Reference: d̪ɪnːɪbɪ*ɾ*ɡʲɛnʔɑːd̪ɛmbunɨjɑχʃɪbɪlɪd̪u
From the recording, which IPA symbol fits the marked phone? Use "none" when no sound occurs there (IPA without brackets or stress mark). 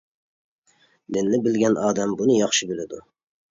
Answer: l